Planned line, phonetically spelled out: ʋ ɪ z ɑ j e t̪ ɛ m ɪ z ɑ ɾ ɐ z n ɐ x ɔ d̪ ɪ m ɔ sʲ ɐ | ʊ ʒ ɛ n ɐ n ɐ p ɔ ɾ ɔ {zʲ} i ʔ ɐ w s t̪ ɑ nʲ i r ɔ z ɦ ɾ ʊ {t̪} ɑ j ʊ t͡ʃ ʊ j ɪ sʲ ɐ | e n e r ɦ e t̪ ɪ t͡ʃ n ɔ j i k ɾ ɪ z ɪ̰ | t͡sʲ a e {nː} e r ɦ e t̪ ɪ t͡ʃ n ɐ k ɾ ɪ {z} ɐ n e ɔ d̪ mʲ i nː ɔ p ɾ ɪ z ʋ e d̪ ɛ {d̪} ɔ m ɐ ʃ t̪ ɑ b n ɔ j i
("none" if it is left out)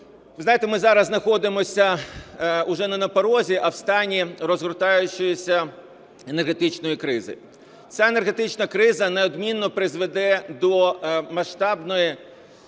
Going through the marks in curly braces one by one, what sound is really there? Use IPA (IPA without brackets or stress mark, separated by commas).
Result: zʲ, t̪, n, z, d̪